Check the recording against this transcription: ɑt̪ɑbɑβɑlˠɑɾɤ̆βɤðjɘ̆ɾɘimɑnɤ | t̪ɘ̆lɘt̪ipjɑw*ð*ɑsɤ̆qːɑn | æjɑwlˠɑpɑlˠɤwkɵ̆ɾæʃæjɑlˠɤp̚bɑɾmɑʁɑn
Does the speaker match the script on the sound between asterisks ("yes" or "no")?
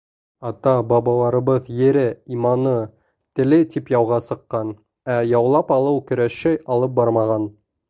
no